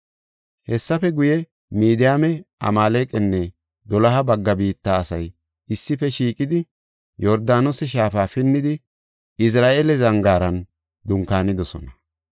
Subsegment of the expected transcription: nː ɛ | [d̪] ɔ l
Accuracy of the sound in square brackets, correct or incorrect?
correct